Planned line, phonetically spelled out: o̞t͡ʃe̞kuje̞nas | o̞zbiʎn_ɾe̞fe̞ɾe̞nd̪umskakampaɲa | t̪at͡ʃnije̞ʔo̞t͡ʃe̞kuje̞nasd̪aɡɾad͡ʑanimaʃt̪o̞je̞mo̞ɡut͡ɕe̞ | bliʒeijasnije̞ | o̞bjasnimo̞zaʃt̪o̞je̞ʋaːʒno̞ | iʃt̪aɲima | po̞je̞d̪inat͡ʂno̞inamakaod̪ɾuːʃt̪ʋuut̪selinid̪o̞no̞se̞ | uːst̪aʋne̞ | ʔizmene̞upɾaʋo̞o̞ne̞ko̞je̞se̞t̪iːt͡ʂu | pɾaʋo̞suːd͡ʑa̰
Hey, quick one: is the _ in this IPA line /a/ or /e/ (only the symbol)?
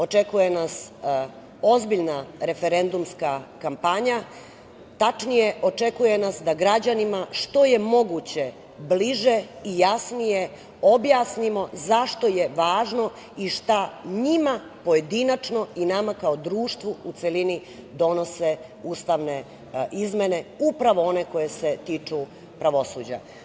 a